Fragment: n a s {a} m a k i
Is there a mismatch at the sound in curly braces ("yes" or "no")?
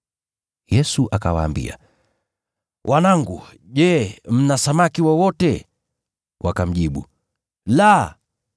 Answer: no